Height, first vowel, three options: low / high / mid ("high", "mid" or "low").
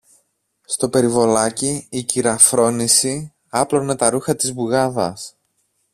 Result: mid